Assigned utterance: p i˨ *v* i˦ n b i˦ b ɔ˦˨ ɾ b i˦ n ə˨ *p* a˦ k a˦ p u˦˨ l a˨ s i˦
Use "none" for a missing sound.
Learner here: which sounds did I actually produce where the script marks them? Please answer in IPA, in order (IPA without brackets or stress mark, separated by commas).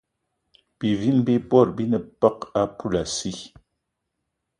v, p